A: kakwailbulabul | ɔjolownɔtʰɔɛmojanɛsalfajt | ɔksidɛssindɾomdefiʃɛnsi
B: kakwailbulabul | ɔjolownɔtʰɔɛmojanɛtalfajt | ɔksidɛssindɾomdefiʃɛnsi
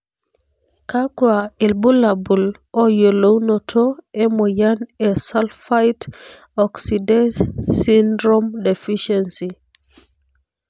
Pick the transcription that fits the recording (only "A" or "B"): A